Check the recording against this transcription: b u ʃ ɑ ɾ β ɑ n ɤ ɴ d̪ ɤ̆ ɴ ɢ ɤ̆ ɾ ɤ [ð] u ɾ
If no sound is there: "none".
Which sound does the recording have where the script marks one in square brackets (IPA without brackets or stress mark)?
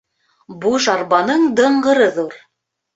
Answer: ð